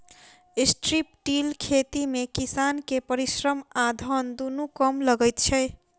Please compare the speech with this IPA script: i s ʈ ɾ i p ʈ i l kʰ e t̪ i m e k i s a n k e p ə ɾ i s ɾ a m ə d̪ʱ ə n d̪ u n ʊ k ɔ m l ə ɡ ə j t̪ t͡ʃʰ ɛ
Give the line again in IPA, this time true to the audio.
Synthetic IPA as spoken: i s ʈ ɾ i p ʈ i l kʰ e t̪ i m e k i s a n k e p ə ɾ i s ɾ ə m a d̪ʱ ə n d̪ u n u k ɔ m l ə ɡ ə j t̪ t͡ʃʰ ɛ